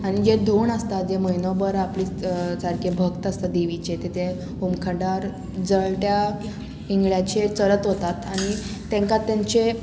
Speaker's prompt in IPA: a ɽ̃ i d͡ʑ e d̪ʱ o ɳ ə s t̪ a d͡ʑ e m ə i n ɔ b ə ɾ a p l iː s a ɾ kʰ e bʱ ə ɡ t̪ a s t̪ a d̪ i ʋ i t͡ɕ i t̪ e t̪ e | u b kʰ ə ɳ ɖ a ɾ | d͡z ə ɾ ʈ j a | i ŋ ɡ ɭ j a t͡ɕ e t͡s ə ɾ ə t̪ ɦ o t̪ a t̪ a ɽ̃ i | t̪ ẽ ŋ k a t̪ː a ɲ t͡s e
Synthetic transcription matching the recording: a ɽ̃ i d͡ʑ e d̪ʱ o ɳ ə s t̪ a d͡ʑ e m ə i n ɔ b ə ɾ a p l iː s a ɾ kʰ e bʱ ə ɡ t̪ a s t̪ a d̪ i ʋ i t͡ɕ e t̪ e t̪ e | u m kʰ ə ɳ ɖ a ɾ | d͡z ə ɭ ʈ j a | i ŋ ɡ ɭ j a t͡ɕ e t͡s ə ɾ ə t̪ ɦ o t̪ a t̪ a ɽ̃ i | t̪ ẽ ŋ k a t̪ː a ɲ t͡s e